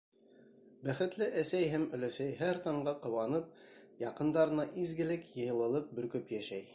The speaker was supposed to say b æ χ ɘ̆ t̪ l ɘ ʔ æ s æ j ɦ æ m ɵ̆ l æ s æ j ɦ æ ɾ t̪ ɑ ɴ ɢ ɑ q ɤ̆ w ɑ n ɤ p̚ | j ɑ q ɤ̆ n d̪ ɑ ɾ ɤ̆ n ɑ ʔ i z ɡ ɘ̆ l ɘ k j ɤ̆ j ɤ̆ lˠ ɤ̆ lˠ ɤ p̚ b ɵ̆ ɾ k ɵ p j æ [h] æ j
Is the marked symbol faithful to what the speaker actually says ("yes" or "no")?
no